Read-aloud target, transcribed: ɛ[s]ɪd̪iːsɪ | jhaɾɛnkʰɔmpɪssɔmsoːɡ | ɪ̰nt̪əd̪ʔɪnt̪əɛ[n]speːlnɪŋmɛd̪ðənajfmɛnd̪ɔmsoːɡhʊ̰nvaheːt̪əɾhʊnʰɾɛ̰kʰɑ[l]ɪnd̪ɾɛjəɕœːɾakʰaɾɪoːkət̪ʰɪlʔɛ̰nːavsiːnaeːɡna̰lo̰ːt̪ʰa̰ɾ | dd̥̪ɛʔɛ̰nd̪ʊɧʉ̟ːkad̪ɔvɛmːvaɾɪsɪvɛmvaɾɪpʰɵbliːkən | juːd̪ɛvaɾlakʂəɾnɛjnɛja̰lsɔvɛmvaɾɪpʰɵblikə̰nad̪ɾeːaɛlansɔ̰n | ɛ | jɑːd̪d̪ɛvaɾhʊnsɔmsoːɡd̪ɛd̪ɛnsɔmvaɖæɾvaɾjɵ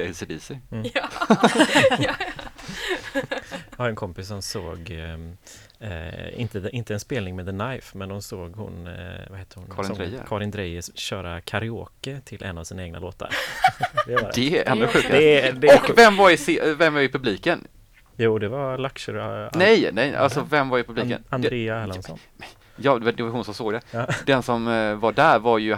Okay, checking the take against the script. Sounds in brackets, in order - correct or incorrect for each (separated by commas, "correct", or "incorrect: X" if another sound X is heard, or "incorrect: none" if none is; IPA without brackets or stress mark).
correct, correct, incorrect: ɾ